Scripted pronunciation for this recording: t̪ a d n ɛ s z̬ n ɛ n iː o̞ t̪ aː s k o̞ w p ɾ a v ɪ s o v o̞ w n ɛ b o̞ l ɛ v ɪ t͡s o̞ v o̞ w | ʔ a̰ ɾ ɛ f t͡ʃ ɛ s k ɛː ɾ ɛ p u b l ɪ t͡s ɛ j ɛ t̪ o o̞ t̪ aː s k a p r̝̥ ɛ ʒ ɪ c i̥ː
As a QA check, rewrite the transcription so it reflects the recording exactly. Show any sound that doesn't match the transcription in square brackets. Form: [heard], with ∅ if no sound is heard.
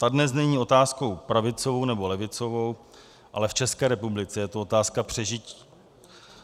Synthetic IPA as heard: t̪ a d n ɛ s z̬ n ɛ [ɲ] iː o̞ t̪ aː s k o̞ w p ɾ a v ɪ [t͡s] o v o̞ w n ɛ b o̞ l ɛ v ɪ t͡s o̞ v o̞ w | ʔ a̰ [l] ɛ f t͡ʃ ɛ s k ɛː ɾ ɛ p u b l ɪ t͡s ɛ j ɛ t̪ o o̞ t̪ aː s k a p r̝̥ ɛ ʒ ɪ c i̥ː